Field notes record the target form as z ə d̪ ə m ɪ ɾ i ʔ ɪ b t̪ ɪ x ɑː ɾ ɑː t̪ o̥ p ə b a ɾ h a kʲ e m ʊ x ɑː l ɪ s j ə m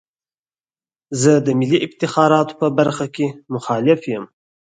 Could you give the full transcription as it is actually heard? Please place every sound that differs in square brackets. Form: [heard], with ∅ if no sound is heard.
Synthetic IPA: z ə d̪ ə m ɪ [l] i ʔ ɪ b t̪ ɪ x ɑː ɾ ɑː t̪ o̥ p ə b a ɾ [x] a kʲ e m ʊ x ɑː l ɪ [f] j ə m

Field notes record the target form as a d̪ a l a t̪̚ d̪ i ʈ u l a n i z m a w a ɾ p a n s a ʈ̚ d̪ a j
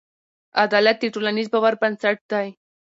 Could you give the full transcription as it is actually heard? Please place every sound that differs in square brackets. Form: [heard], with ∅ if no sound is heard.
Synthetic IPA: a d̪ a l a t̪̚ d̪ i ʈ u l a n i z [b] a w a ɾ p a n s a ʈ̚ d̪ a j

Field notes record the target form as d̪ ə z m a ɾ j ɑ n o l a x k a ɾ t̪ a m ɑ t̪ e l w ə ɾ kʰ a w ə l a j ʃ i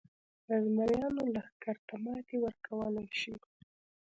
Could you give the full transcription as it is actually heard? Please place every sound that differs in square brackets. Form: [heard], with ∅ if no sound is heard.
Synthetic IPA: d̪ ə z m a ɾ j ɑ n o l a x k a ɾ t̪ a m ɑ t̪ e [∅] w ə ɾ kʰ a w ə l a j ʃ i

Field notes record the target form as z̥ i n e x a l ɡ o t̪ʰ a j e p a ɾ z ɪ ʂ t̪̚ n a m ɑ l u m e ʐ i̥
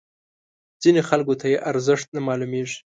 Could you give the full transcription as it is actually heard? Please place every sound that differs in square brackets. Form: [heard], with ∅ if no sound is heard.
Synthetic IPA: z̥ i n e x a l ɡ o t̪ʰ a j e [ʔ] a ɾ z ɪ ʂ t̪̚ n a m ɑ l u m e ʐ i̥

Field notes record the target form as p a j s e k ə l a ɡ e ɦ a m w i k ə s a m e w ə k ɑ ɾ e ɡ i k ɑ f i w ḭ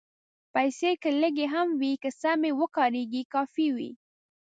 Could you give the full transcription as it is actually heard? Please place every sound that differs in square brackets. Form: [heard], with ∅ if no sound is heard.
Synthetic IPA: p a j s e k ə l [ə] ɡ e ɦ a m w i k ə s a m e w ə k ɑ ɾ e ɡ i k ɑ f i w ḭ

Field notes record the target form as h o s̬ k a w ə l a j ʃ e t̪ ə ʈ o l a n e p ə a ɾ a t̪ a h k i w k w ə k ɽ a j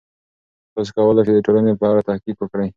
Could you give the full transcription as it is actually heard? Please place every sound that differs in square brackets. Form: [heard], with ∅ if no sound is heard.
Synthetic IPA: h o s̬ k a w ə l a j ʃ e [d̪] ə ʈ o l a n e p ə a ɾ a t̪ a h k i [∅] k w ə k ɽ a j

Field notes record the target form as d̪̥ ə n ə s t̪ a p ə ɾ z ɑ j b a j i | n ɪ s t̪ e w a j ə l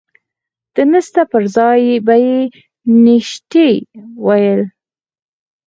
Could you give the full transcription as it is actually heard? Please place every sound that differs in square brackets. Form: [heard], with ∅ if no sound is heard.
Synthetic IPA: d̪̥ ə n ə s t̪ a p ə ɾ z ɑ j b a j [e] | n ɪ [ʃ] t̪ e w a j ə l

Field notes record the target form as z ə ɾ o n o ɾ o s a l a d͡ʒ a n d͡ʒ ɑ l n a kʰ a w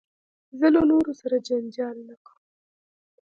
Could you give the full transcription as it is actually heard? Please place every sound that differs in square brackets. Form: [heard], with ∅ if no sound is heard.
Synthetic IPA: z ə [l] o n o ɾ o s a [ɾ] a d͡ʒ a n d͡ʒ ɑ l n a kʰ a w

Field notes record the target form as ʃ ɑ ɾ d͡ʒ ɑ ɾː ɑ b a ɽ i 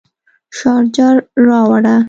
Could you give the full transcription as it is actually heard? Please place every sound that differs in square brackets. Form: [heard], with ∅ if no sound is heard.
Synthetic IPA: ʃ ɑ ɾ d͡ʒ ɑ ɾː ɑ [w] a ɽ [a]

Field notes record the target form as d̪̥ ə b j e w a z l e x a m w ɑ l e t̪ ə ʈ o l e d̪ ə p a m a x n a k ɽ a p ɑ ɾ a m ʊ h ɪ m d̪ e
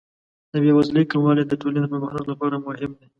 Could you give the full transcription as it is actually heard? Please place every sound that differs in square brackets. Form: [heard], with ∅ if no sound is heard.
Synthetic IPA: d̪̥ ə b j e w a z l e [k] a m w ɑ l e [d̪] ə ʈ o l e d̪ ə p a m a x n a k [l] a p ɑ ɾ a m ʊ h ɪ m d̪ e

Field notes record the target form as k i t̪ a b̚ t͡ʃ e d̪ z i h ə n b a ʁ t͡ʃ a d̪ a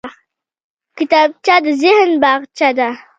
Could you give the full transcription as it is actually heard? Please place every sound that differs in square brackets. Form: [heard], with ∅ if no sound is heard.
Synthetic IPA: k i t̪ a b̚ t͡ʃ [a] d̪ z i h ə n b a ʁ t͡ʃ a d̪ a

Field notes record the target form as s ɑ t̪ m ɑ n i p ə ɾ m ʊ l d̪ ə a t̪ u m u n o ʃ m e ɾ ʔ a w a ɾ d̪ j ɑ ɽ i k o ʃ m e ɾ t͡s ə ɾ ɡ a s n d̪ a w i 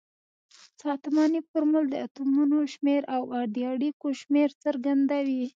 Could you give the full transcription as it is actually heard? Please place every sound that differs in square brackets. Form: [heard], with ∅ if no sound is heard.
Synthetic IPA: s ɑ t̪ m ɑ n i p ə ɾ m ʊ l d̪ ə a t̪ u m u n o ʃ m e ɾ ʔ a w a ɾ d̪ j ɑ ɽ i k o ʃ m e ɾ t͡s ə ɾ ɡ a [∅] n d̪ a w i

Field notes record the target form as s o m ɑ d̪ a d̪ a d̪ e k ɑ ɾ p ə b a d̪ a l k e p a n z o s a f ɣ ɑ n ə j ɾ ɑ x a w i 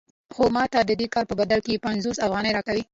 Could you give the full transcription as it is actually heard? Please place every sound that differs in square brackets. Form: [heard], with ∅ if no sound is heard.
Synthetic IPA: [x] o m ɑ [t̪] a d̪ [ə] d̪ e k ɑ ɾ p ə b a d̪ a l k e p a n z o s a f ɣ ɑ n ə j ɾ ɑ [k] a w i

